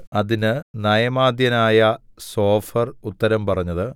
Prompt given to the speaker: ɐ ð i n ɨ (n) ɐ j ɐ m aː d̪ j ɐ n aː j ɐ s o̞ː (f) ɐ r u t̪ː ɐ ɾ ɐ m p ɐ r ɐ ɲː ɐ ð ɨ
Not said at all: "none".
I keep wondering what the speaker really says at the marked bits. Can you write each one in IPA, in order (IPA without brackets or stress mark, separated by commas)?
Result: n, f